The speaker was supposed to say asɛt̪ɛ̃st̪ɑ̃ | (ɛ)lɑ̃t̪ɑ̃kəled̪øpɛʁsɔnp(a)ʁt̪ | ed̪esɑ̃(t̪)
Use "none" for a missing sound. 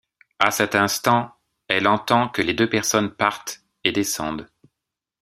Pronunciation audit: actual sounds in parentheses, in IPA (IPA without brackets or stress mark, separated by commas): ɛ, a, d̪